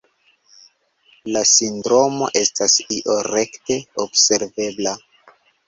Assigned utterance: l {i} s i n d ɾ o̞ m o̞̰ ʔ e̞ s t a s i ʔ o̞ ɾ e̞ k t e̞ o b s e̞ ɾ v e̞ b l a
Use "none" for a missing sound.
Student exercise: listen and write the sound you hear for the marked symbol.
a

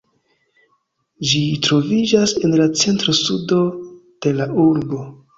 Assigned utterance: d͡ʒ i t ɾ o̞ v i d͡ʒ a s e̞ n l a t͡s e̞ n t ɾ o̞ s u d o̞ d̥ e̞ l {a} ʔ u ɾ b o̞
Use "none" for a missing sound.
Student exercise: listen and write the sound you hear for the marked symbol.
a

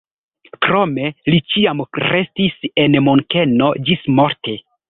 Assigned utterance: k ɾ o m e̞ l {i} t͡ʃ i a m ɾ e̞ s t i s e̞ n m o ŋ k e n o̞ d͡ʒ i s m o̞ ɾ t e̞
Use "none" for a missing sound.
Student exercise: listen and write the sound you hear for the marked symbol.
i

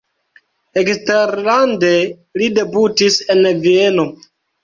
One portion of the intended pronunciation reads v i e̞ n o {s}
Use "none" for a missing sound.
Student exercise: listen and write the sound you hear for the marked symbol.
none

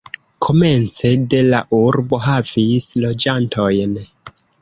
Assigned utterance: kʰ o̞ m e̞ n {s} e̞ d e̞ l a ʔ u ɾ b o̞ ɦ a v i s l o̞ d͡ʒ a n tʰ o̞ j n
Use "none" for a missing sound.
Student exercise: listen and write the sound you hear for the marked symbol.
t͡s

